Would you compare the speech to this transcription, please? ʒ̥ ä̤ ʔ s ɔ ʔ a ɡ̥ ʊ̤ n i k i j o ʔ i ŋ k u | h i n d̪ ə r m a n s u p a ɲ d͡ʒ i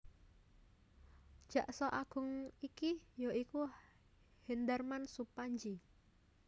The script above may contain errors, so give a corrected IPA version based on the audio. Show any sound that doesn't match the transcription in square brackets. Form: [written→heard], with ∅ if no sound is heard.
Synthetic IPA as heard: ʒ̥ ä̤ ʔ s ɔ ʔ a ɡ̥ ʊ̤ [n→ŋ] i k i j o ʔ i [ŋ→∅] k u | h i n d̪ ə r m a n s u p a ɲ d͡ʒ i